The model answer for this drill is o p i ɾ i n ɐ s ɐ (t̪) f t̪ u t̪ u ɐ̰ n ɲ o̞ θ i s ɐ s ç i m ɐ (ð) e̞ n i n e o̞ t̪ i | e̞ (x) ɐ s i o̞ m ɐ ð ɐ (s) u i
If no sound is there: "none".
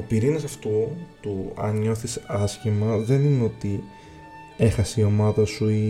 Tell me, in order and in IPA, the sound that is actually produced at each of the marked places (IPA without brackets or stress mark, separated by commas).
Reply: none, ð, x, s